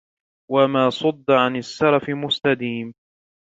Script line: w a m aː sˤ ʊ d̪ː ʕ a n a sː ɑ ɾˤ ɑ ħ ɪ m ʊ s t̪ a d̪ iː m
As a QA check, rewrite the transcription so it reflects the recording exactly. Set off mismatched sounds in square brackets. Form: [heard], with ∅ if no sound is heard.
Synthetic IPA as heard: w a m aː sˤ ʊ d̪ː ʕ a n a sː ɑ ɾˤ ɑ [f] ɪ m ʊ s t̪ a d̪ iː m